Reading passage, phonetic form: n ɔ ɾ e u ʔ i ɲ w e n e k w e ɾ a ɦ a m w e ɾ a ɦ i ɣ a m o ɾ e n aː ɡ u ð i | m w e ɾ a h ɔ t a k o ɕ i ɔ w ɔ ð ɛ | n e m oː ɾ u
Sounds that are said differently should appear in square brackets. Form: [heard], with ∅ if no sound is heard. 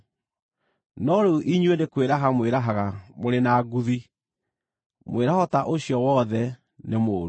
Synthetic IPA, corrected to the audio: n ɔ ɾ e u ʔ i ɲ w e n e k w e ɾ a ɦ a m w e ɾ a ɦ [a] ɣ a m o ɾ e n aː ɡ u ð i | m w e ɾ a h ɔ t a [ʔ] o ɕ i ɔ w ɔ ð ɛ | n e m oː ɾ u